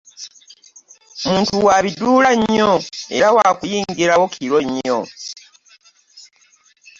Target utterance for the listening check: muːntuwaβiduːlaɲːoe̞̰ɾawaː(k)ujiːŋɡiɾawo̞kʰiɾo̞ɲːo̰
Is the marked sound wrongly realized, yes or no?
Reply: no